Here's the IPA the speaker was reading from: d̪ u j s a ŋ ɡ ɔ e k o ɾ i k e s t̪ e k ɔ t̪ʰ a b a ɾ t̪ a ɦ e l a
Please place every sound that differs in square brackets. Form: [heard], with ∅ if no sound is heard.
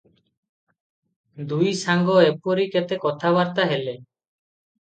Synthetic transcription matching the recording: d̪ u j s a ŋ ɡ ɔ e [p] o ɾ i k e [∅] t̪ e k ɔ t̪ʰ a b a ɾ t̪ a ɦ e l [e]